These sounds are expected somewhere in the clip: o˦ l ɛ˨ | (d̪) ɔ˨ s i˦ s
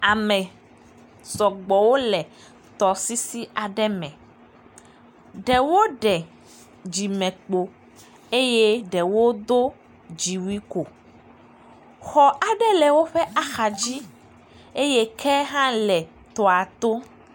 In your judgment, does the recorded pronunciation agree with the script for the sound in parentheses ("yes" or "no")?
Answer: no